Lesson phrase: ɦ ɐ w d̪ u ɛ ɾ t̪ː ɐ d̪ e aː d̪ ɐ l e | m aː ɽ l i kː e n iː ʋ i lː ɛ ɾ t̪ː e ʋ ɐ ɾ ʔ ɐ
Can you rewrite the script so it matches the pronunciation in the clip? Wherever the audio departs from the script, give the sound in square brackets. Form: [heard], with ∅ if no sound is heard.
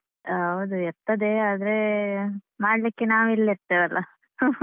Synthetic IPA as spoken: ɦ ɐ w d̪ u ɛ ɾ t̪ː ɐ d̪ e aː d̪ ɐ [ɾ] e | m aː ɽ l i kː e n [aː] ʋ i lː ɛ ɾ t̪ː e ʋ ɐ [l] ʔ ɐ